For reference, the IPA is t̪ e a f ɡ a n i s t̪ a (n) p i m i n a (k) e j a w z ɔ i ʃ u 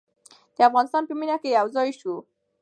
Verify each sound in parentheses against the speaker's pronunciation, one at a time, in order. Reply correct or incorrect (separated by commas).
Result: correct, correct